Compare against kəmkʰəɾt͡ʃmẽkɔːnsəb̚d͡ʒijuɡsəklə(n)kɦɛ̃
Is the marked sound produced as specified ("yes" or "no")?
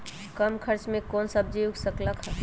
no